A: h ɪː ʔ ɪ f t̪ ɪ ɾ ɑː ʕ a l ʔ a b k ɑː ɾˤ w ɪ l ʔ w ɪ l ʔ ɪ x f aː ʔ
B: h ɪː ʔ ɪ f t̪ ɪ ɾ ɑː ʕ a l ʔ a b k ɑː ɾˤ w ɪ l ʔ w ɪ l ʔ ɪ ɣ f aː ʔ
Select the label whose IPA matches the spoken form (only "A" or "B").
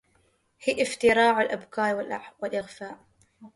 B